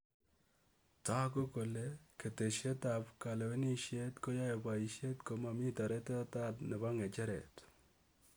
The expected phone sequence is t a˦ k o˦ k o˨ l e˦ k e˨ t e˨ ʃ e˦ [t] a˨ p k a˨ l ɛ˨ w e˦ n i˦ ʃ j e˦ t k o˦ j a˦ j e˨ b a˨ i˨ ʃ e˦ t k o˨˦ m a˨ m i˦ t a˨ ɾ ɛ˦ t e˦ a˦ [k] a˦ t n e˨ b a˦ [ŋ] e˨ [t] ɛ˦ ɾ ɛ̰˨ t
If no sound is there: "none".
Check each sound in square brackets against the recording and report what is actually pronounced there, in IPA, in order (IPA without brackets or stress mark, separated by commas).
t, t, ŋ, t͡ʃ